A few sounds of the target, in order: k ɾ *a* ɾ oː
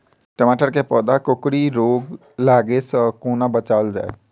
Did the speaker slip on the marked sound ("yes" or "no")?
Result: yes